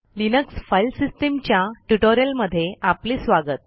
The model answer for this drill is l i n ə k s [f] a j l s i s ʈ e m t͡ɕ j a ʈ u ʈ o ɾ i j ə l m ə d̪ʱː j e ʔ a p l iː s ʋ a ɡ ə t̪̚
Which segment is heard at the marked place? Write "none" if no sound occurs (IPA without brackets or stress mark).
f